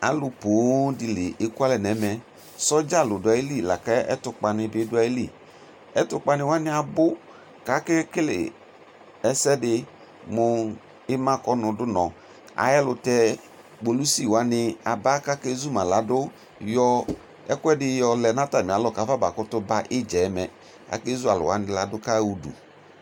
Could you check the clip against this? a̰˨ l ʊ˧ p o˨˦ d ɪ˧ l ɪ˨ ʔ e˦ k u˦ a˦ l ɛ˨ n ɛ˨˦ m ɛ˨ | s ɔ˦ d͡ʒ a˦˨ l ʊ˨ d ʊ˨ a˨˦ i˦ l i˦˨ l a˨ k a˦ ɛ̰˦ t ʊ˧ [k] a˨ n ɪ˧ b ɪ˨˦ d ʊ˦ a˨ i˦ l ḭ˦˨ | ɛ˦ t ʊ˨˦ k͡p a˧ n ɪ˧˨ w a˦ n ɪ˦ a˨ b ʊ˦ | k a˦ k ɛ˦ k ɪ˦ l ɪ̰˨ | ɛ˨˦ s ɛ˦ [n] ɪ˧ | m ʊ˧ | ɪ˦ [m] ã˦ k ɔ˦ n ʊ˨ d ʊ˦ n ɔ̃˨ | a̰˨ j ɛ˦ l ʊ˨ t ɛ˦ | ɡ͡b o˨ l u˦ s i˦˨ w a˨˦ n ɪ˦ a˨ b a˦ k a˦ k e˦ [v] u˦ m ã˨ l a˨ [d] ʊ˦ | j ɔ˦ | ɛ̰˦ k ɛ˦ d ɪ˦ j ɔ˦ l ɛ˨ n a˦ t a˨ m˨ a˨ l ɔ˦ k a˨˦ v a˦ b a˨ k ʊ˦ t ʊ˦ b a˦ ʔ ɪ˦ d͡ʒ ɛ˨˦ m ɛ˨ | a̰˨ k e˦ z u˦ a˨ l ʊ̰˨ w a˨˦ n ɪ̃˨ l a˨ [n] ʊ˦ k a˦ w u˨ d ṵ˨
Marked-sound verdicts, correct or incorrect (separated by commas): incorrect, incorrect, correct, incorrect, correct, incorrect